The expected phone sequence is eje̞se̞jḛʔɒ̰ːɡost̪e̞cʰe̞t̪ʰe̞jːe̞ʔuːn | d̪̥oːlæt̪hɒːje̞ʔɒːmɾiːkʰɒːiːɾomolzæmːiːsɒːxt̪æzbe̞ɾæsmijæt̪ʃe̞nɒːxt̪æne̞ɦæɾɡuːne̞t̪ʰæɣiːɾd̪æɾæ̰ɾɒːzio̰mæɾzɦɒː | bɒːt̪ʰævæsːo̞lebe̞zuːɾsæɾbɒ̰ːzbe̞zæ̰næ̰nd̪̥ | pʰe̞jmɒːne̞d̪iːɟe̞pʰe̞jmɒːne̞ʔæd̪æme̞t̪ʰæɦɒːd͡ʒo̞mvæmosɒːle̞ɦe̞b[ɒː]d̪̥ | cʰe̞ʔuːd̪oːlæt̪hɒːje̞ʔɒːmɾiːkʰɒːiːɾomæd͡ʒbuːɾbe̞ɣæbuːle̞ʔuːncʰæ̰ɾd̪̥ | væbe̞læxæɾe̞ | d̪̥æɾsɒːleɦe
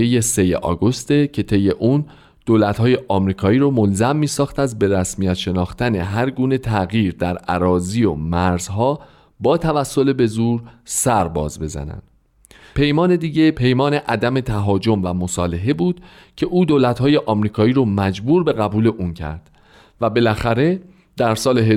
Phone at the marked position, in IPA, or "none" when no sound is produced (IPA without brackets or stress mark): uː